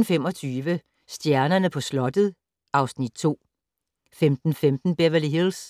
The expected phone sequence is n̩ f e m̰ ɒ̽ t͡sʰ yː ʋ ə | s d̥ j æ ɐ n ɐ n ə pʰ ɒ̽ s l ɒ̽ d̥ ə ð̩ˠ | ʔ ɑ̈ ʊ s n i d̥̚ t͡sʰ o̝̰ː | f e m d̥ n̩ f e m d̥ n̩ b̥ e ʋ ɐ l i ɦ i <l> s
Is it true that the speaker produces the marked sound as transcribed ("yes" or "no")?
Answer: yes